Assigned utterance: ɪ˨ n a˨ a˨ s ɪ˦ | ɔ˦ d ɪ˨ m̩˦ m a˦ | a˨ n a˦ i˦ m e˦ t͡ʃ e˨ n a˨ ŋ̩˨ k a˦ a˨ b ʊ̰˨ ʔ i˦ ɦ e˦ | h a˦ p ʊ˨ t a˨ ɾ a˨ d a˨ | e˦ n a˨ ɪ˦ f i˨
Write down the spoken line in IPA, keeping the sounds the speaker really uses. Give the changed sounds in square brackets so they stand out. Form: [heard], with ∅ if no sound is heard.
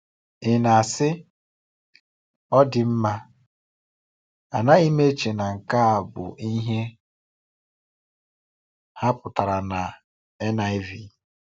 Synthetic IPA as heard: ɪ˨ n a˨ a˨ s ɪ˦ | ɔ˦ d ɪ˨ m̩˦ m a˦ | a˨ n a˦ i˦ m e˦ t͡ʃ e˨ n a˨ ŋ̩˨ k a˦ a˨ b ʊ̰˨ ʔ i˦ ɦ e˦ | h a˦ p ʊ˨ t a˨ ɾ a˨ [n] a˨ | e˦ n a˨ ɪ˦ [v] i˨